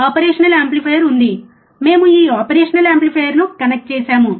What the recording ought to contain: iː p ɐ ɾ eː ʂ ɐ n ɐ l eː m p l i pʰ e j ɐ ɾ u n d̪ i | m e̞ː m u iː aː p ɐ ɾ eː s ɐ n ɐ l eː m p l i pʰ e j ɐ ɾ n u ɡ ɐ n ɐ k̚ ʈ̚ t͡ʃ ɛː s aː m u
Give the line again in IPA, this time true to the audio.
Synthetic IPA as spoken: aː p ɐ ɾ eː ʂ ɐ n ɐ l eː m p l i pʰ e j ɐ ɾ u n d̪ i | m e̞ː m u iː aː p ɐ ɾ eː ʂ ɐ n ɐ l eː m p l i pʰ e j ɐ ɾ n u k ɐ n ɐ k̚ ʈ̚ t͡ʃ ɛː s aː m u